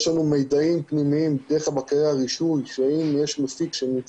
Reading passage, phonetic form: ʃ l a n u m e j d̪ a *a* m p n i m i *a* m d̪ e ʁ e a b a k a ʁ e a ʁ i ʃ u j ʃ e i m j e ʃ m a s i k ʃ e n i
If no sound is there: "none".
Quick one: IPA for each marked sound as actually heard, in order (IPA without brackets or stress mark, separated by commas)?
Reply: i, i